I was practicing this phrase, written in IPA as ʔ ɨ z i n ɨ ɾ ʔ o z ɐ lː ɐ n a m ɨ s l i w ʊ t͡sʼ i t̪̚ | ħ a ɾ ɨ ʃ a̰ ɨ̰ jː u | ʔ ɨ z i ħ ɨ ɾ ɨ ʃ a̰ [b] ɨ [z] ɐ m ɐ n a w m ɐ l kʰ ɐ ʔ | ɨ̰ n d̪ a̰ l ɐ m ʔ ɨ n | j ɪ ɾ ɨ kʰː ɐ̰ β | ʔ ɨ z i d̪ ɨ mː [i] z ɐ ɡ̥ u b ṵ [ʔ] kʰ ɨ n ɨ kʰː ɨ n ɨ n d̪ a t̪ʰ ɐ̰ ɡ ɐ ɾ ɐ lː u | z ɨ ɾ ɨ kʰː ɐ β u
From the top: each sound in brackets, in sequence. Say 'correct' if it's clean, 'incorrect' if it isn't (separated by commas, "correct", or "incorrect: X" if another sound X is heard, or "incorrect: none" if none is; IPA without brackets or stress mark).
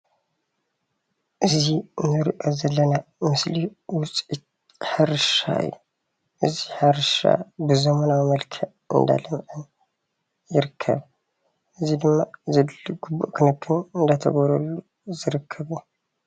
correct, correct, incorrect: a, correct